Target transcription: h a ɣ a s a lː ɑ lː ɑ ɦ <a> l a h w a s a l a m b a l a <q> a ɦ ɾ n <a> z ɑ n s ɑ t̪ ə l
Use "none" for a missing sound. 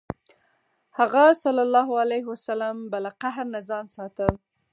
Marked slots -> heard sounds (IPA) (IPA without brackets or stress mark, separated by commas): a, q, a